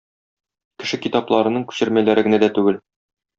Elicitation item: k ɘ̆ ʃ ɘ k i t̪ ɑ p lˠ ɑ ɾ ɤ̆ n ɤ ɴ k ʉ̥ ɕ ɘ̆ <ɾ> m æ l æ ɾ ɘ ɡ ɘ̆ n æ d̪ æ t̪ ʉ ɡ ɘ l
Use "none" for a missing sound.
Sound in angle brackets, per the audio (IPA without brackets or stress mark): ɾ